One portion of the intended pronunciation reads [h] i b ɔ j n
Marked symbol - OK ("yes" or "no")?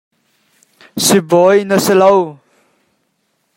no